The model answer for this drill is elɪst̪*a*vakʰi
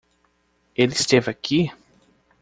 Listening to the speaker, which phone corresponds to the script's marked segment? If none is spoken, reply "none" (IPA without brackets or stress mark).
e